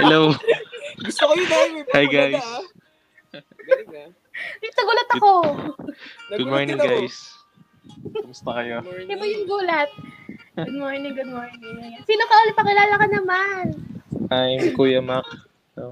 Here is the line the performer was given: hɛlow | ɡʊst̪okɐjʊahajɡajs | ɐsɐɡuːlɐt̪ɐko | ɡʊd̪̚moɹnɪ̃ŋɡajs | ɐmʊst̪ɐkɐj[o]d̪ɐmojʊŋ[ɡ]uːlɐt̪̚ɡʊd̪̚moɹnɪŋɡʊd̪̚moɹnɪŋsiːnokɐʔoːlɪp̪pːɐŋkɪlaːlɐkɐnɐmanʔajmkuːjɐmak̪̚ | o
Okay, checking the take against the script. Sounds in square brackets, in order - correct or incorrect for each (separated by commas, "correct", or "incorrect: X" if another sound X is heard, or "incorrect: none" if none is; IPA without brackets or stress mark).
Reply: correct, correct